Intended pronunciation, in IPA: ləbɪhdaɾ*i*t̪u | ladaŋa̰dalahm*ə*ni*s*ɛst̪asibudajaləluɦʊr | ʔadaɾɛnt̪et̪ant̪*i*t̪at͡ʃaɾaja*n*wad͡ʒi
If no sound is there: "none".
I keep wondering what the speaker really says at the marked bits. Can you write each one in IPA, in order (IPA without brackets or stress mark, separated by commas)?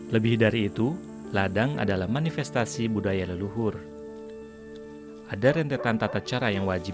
iː, a, f, a, ŋ